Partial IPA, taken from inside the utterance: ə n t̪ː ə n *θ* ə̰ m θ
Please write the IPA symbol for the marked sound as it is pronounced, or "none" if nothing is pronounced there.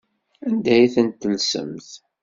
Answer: s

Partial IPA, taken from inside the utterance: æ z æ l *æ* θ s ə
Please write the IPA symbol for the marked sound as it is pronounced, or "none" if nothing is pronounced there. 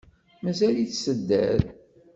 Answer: i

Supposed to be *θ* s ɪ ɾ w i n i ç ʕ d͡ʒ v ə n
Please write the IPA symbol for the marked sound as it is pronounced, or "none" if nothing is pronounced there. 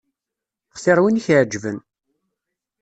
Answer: χ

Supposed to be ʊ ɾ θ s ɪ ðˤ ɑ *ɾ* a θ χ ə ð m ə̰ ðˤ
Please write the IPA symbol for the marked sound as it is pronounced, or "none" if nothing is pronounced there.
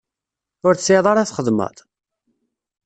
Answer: ɾ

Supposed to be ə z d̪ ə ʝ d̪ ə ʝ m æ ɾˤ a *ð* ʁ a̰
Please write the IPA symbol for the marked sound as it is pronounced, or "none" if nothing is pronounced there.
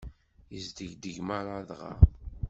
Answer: ð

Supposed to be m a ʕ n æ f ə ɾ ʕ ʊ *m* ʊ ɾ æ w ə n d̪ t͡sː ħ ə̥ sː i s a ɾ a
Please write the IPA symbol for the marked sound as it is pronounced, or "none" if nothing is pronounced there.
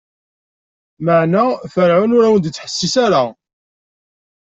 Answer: n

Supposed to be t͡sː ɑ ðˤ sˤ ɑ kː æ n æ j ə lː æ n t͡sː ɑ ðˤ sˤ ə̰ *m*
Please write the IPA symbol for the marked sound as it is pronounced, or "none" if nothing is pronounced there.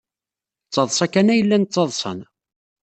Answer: n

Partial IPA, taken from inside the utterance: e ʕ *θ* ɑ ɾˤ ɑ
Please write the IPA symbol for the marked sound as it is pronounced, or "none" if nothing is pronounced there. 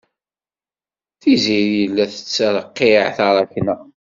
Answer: θ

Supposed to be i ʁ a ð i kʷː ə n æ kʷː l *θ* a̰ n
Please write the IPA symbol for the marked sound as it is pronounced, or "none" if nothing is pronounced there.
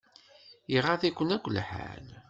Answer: ħ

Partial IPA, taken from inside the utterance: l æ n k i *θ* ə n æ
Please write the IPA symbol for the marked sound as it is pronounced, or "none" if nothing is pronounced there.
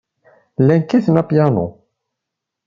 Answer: θ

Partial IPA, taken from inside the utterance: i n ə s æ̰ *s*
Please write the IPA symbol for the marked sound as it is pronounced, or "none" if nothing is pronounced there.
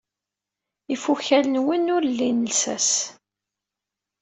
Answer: s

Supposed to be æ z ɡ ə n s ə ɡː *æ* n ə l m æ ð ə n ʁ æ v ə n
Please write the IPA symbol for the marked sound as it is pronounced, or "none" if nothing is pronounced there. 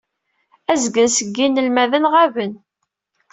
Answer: i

